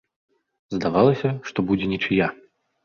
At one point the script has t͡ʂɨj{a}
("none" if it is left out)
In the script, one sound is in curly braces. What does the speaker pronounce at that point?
a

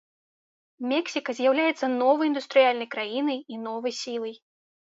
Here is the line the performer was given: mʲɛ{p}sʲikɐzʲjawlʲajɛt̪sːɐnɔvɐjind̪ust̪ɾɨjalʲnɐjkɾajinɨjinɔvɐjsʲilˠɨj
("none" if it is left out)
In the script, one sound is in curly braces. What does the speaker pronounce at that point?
k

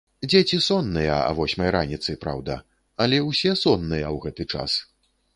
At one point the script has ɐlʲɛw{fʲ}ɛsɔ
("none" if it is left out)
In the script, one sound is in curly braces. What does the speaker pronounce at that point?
sʲ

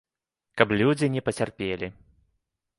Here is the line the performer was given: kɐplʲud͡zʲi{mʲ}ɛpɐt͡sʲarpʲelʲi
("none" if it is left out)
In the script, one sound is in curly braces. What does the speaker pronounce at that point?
nʲ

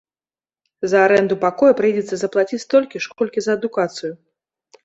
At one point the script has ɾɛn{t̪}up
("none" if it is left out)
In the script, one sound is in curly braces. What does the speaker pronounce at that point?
d̪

